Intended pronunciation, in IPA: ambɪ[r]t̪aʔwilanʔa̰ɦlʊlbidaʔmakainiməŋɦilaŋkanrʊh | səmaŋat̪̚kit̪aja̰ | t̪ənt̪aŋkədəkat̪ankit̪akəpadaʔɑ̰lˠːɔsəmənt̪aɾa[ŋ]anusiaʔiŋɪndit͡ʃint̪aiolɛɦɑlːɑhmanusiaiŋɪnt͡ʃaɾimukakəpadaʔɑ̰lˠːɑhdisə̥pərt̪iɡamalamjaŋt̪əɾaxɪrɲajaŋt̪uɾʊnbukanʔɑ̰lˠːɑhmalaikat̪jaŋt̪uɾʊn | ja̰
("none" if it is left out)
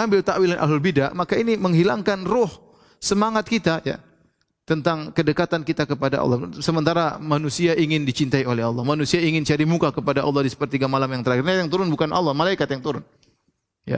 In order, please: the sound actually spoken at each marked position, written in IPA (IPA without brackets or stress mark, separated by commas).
l, m